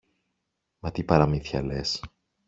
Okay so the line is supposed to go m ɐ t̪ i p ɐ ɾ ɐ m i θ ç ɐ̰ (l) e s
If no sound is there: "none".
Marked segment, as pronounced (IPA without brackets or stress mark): l